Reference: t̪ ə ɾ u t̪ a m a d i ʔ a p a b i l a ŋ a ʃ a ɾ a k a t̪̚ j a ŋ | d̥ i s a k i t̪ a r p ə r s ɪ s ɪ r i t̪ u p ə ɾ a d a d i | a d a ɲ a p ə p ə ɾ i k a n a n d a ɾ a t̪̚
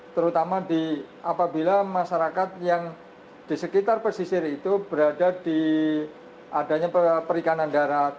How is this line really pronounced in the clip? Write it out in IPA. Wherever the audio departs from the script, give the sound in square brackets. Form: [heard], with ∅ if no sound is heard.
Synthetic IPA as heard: t̪ ə ɾ u t̪ a m a d i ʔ a p a b i l a [m] a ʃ a ɾ a k a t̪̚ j a ŋ | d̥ i s [ə] k i t̪ a r p ə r s [i] s ɪ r i t̪ u [b] ə ɾ a d a d i | a d a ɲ a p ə p ə ɾ i k a n a n d a ɾ a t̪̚

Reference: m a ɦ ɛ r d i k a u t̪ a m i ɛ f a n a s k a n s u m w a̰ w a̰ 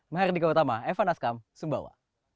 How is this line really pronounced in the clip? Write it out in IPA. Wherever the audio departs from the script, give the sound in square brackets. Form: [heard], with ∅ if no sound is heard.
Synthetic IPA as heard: m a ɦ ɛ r d i k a u t̪ a m [a] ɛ f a n a s k a [m] s u m [b] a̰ w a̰

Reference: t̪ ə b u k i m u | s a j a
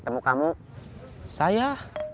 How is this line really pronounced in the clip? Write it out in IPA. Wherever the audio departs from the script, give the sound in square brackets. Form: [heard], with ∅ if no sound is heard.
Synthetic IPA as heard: t̪ ə [m] u k [a] m u | s a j a

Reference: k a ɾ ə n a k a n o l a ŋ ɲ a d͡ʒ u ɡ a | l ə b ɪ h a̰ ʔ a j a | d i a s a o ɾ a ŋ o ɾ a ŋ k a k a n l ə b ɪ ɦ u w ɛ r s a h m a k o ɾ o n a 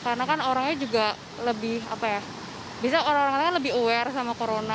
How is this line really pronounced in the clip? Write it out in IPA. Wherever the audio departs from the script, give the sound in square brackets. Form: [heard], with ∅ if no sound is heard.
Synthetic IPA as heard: k a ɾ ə n a k a n o [ɾ] a ŋ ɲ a d͡ʒ u ɡ a | l ə b ɪ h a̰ [p] a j a | [b] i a s a o ɾ a ŋ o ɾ a ŋ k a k a n l ə b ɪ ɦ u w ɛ r s a [∅] m a k o ɾ o n a

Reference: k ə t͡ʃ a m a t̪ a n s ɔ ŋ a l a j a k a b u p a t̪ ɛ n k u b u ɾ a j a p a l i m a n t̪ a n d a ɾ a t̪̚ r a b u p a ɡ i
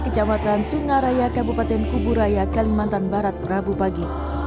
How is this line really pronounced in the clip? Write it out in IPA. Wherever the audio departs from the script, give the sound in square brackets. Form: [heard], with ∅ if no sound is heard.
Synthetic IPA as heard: k ə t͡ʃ a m a t̪ a n s [u] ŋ a [ɾ] a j a k a b u p a t̪ ɛ n k u b u ɾ a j a [k] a l i m a n t̪ a n [b] a ɾ a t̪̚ r a b u p a ɡ i

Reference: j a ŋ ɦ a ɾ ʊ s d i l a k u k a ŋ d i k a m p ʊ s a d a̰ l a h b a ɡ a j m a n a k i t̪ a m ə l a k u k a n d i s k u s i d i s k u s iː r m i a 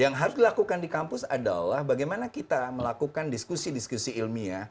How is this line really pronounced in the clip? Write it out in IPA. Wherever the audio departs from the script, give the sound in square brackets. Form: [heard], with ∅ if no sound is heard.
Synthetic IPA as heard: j a ŋ ɦ a ɾ ʊ s d i l a k u k a [n] d i k a m p ʊ s a d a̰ l a h b a ɡ a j m a n a k i t̪ a m ə l a k u k a n d i s k u s i d i s k u s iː [l] m i a

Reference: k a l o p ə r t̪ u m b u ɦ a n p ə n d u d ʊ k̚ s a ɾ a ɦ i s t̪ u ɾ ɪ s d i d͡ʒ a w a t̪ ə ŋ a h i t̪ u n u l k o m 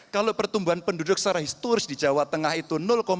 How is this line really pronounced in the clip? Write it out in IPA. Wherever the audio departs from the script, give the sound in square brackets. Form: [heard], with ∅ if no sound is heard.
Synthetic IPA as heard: k a l o p ə r t̪ u m b u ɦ a n p ə n d u d ʊ k̚ s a ɾ a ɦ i s t̪ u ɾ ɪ s d i d͡ʒ a w a t̪ ə ŋ a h i t̪ u n [ʊ] l k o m

